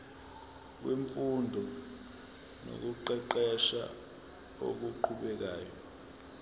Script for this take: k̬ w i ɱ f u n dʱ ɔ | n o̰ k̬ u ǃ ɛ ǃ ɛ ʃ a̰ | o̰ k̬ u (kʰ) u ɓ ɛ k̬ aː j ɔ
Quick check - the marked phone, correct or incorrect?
incorrect